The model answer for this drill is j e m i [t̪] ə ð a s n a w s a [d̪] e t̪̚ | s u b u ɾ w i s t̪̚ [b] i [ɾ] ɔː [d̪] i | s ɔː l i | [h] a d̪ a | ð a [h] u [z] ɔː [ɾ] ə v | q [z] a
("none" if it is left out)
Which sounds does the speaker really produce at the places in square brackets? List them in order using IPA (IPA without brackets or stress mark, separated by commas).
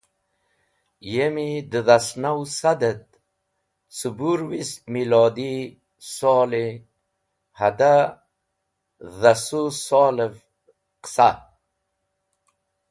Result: d̪, d̪, m, l, d̪, h, s, s, l, s